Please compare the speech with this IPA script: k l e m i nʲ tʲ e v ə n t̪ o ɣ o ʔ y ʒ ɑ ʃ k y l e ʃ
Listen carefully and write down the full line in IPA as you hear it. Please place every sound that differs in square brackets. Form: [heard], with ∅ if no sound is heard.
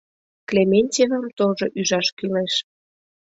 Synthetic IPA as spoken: k l e m [e] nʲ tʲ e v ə [m] t̪ o [ʒ] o ʔ y ʒ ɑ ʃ k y l e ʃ

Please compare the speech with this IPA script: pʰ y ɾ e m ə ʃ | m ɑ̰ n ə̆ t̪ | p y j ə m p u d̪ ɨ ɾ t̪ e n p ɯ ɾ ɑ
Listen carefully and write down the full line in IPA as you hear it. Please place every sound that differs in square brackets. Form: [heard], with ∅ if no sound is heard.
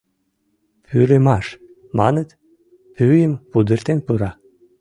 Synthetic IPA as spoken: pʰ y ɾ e m [ɑ] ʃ | m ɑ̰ n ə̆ t̪ | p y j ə m p u d̪ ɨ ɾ t̪ e n p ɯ ɾ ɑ

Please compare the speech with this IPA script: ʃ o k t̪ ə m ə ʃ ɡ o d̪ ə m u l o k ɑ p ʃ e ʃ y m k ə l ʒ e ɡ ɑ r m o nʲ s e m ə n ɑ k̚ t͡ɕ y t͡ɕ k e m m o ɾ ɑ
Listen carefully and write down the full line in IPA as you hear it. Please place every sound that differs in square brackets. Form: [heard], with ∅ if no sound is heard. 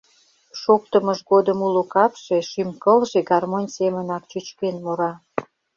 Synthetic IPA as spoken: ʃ o k t̪ ə m ə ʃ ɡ o d̪ ə m u l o k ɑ p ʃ e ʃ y m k ə l ʒ e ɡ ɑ r m o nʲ s e m ə n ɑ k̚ t͡ɕ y t͡ɕ k e [n] m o ɾ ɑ

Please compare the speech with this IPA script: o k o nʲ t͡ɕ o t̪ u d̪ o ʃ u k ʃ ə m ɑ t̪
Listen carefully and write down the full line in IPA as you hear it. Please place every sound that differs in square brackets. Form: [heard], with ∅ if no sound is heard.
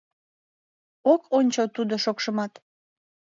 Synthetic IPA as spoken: o k o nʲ t͡ɕ o t̪ u d̪ o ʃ [o] k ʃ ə m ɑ t̪

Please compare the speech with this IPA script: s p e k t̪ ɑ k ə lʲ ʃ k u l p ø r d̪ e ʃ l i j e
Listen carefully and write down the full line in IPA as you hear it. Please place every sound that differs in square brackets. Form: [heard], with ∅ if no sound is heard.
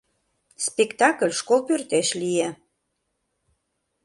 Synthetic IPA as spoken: s p e k t̪ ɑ k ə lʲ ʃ k [o] l p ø r [t̪] e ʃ l i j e

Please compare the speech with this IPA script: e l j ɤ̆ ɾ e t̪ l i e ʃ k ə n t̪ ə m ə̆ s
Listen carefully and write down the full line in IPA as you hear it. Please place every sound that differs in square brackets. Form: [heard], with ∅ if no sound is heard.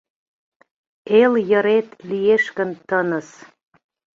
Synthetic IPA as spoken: e l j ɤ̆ ɾ e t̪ l i e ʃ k ə n t̪ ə [n] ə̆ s

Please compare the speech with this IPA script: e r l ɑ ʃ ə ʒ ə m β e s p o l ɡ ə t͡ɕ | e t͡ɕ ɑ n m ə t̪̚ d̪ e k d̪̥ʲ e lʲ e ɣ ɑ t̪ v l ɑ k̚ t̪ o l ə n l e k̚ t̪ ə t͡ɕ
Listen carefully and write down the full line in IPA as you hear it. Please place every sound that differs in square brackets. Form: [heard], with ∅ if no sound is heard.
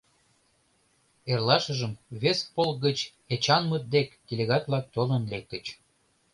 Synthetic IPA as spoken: e r l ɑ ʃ ə ʒ ə m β e s p o l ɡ ə t͡ɕ | e t͡ɕ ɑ n m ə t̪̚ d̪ e k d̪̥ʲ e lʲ e ɣ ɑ t̪ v l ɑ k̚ t̪ o l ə n l e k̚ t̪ ə t͡ɕ

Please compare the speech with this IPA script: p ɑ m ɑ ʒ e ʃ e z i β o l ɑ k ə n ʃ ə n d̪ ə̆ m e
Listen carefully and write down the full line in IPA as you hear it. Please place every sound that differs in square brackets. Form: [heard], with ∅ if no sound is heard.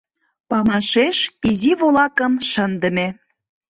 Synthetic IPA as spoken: p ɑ m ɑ [ʃ] e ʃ [i] z i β o l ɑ k ə [m] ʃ ə n d̪ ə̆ m e

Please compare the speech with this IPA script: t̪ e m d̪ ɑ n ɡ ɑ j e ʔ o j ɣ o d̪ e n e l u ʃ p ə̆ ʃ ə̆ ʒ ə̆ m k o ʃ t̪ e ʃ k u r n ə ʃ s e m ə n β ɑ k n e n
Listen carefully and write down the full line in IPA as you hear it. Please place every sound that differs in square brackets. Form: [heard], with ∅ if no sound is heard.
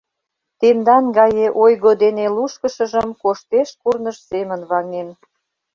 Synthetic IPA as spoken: t̪ e m d̪ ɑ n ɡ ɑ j e ʔ o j ɣ o d̪ e n e l u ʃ [k] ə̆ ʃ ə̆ ʒ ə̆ m k o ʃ t̪ e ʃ k u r n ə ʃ s e m ə n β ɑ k n e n

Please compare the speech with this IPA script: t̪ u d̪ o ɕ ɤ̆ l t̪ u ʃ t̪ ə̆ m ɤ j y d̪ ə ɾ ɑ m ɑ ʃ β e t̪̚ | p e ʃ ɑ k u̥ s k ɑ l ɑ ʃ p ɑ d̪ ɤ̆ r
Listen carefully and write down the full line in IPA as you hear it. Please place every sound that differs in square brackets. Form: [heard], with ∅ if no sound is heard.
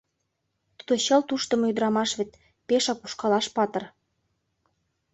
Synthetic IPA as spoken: t̪ u d̪ o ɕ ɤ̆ l t̪ u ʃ t̪ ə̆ m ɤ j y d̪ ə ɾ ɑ m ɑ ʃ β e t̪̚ | p e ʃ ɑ k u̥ [ʃ] k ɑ l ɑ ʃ p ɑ [t̪] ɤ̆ r

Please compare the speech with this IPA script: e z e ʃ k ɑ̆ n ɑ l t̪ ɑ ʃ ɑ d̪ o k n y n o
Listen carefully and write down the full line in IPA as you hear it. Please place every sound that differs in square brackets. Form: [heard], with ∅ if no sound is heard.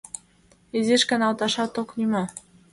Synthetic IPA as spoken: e z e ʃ k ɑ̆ n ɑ l t̪ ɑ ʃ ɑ [t̪] o k n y [m] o

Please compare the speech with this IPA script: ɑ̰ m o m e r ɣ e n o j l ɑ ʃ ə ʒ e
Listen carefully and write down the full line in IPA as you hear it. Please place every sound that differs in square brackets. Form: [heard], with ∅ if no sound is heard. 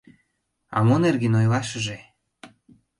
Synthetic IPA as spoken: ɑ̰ m o [n] e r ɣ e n o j l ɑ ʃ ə ʒ e

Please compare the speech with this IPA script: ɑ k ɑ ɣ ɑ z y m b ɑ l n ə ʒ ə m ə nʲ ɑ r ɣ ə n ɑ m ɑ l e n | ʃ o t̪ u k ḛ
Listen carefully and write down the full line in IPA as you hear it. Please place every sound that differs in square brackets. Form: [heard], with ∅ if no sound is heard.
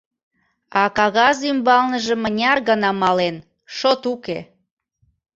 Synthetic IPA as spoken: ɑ k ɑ ɣ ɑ z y m b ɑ l n ə ʒ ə m ə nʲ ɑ r ɣ ə n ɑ m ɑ l e n | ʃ o t̪ u k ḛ

